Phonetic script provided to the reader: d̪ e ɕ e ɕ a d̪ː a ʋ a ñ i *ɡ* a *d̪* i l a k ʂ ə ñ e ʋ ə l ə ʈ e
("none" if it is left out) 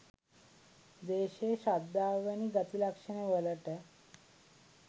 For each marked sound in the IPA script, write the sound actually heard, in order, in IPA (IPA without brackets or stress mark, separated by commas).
ɡ, t̪